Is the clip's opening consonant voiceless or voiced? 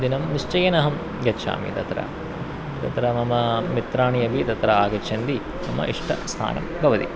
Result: voiced